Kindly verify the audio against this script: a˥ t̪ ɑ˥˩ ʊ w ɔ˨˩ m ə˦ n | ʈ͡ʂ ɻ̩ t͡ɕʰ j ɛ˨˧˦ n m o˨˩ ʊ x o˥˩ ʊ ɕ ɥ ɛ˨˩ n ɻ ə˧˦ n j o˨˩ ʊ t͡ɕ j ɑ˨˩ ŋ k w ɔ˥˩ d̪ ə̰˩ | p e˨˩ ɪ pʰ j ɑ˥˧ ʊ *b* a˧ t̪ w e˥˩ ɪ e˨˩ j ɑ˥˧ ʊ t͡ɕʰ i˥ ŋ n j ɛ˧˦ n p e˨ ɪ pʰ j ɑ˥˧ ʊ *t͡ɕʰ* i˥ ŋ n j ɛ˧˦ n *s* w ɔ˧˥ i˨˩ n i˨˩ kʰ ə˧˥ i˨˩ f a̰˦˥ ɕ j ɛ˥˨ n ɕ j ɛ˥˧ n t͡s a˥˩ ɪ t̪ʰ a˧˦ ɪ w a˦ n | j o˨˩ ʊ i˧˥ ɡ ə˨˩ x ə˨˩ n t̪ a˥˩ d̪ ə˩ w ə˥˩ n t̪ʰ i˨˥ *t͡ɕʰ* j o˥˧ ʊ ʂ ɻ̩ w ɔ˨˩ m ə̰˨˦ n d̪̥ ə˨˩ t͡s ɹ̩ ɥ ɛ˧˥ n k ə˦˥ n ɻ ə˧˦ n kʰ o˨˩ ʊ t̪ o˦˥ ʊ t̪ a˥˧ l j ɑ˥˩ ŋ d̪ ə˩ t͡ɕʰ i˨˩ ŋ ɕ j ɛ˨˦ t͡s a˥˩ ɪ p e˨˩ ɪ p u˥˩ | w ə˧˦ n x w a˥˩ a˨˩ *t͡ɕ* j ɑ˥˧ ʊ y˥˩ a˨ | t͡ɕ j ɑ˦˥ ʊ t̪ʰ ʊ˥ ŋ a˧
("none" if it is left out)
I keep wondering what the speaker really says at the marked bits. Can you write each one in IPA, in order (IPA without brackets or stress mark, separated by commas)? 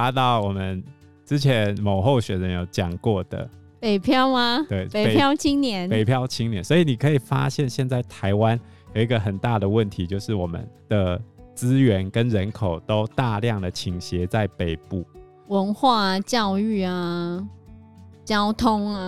m, t͡ɕʰ, s, t͡ɕ, t͡ɕ